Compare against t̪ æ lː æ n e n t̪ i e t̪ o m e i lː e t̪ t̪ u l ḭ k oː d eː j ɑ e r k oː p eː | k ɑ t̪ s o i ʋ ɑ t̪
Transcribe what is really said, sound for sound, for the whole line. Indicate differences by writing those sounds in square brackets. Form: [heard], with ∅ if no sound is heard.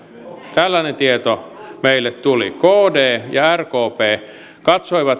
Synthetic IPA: t̪ æ lː æ n e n t̪ i e t̪ o m e i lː e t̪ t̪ u l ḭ k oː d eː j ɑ [æ] r k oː p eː | k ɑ t̪ s o i ʋ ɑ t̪

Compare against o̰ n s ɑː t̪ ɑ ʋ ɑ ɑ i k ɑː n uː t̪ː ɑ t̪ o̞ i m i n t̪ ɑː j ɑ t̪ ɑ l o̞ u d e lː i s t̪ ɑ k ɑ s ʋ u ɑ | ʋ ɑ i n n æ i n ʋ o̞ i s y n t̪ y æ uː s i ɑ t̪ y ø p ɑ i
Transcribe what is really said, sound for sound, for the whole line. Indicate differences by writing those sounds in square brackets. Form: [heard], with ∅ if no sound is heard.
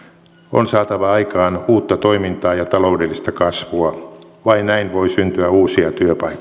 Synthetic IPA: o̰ n s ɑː t̪ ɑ ʋ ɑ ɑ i k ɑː n uː t̪ː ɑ t̪ o̞ i m i n t̪ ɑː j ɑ t̪ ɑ l o̞ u d e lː i s t̪ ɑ k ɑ s ʋ u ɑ | ʋ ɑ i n n æ i n ʋ o̞ i s y n t̪ y æ uː s i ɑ t̪ y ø p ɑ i

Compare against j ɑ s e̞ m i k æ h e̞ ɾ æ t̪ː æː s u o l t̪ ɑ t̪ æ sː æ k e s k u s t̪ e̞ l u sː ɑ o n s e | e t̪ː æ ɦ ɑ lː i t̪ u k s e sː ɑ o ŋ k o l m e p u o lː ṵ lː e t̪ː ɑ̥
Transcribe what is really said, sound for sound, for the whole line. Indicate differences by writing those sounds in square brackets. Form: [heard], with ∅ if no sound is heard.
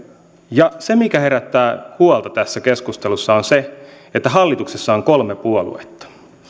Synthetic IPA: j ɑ s e̞ m i k æ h e̞ ɾ æ t̪ː æː [h] u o l t̪ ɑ t̪ æ sː æ k e s k u s t̪ e̞ l u sː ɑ o n s e | e t̪ː æ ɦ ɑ lː i t̪ u k s e sː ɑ o ŋ k o l m e p u o [l] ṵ [∅] e t̪ː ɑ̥

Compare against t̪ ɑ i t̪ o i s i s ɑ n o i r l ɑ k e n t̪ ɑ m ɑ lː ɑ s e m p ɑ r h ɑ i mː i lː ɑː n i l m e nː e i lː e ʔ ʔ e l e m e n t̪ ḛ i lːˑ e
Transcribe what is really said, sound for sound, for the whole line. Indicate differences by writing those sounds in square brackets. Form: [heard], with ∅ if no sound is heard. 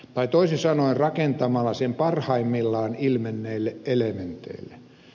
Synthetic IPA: t̪ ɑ i t̪ o i s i s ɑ n o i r [r] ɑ k e n t̪ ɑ m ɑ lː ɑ s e m p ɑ r h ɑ i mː i lː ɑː n i l m e nː e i lː e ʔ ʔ e l e m e n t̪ ḛ i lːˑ e

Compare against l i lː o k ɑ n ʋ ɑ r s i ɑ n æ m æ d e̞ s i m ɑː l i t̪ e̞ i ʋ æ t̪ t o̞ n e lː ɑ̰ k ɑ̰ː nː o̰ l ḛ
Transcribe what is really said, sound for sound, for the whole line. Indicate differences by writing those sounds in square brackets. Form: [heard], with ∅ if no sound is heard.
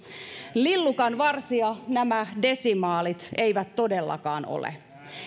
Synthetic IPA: l i lː [u] k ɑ n ʋ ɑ r s i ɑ n æ m æ d e̞ s i m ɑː l i t̪ e̞ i ʋ æ t̪ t o̞ [d] e lː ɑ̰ k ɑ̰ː [n] o̰ l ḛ

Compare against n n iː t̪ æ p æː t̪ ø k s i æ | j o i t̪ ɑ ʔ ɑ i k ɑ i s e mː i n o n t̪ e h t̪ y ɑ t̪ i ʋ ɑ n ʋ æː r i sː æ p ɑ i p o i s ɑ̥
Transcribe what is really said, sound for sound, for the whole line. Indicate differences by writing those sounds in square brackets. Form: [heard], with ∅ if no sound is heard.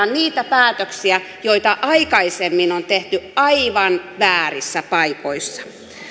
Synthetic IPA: n n iː t̪ æ p æː t̪ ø k s i æ | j o i t̪ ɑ ʔ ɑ i k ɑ i s e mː i n o n t̪ e h t̪ y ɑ [∅] i ʋ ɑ n ʋ æː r i sː æ p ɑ i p o i [sː] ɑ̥

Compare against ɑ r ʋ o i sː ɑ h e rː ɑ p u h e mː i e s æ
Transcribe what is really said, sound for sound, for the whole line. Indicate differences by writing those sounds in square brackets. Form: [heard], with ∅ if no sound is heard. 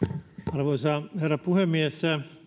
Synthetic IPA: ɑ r ʋ o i [s] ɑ h e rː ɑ p u h e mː i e s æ

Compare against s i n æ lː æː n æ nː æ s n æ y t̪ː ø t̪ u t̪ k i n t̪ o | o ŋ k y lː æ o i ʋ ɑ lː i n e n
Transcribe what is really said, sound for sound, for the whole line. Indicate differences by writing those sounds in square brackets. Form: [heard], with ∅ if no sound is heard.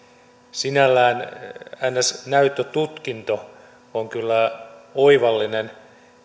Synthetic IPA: s i n æ lː æː n æ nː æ s n æ y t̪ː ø t̪ u t̪ k i n t̪ o | o ŋ k y lː æ o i ʋ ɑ lː i n e n

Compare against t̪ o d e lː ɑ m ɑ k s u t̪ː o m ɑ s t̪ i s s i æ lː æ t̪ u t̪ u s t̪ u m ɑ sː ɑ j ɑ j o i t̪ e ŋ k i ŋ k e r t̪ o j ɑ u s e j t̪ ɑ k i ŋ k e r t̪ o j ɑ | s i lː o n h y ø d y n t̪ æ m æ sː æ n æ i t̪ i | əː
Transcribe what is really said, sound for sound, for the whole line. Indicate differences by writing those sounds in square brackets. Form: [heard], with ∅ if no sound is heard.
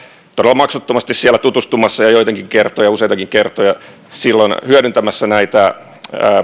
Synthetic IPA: t̪ o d e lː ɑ m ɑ k s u t̪ː o m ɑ s t̪ i s s i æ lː æ t̪ u t̪ u s t̪ u m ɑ sː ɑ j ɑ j o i t̪ e ŋ k i ŋ k e r t̪ o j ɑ u s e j t̪ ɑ k i ŋ k e r t̪ o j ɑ | s i lː o n h y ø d y n t̪ æ m æ sː æ n æ i t̪ [æ] | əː

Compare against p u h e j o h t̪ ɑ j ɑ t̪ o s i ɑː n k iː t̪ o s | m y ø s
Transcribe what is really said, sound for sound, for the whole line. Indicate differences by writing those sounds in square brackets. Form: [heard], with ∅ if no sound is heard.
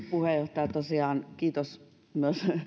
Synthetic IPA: p u h e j o h t̪ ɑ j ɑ t̪ o s i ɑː n k iː t̪ o s | m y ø s

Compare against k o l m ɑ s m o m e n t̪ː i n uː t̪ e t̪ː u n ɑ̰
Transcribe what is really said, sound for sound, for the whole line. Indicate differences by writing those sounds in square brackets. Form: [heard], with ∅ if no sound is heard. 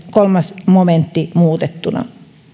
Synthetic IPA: k o l m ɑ s m o m e n t̪ː i [m] uː t̪ e t̪ː u n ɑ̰

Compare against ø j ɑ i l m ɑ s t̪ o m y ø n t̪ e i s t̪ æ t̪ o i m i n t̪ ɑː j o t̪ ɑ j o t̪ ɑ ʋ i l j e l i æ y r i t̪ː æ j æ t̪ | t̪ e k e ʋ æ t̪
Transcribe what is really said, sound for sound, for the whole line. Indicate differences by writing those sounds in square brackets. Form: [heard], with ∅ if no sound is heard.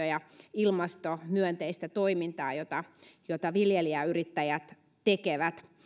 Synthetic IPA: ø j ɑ i l m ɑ s t̪ o m y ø n t̪ e i s t̪ æ t̪ o i m i n t̪ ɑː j o t̪ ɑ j o t̪ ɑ ʋ i l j e l i æ y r i t̪ː æ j æ t̪ | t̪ e k e ʋ æ t̪

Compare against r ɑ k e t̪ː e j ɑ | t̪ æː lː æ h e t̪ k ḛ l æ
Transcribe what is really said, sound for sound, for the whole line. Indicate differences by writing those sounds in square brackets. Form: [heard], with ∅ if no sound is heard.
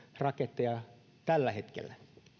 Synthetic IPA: r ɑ k e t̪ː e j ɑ | t̪ [æ] lː æ h e t̪ k ḛ [lː] æ

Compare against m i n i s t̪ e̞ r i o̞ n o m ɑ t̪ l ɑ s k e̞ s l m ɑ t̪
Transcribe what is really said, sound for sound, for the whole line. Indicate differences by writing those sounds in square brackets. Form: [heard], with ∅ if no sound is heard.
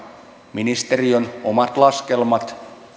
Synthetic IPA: m i n i s t̪ e̞ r i o̞ n o m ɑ t̪ l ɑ s k e̞ [∅] l m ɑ t̪

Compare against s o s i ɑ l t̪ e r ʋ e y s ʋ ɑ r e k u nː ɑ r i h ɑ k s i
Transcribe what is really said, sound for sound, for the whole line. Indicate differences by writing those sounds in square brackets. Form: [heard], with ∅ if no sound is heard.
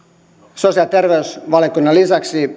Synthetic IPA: s o s i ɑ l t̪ e r ʋ e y s ʋ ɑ [l] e k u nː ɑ [l] i [s] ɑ k s i

